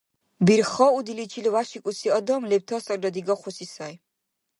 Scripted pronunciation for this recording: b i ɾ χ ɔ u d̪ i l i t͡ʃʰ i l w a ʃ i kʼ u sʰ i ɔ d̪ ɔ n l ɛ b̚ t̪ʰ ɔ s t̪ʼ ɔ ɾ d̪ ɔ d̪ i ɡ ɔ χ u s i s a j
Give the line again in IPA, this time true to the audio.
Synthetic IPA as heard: b i ɾ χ ɔ u d̪ i l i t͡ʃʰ i l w a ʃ i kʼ u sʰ i ɔ d̪ ɔ m l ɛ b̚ t̪ʰ ɔ s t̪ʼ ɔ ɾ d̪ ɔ d̪ i ɡ ɔ χ u s i s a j